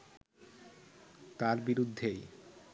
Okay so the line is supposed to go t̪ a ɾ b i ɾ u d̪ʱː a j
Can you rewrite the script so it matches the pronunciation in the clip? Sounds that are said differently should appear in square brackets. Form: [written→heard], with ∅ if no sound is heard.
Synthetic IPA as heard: t̪ a ɾ b i ɾ u d̪ʱː [a→e] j